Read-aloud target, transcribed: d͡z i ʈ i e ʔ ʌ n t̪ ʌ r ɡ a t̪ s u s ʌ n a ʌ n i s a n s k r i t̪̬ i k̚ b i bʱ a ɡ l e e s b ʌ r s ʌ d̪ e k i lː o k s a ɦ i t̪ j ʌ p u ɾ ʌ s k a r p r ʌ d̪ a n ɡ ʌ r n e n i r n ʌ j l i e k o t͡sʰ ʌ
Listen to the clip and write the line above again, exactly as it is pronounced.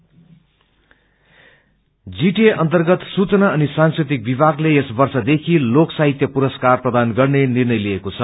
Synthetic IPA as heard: d͡z i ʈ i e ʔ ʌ n t̪ ʌ r ɡ ʌ t̪ s u t͡s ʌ n a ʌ n i s a n s k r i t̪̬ i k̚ b i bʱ a ɡ l e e s b ʌ r s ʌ d̪ e kʰ i l o k s a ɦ i t̪ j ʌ p u ɾ ʌ s k a r p r ʌ d̪ a n ɡ ʌ r n e n i r n ʌ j l i e k o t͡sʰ ʌ